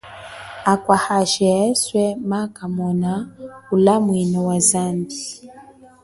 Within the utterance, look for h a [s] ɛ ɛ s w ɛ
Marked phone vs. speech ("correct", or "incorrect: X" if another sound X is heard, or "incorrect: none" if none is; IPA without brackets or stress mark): incorrect: ʃ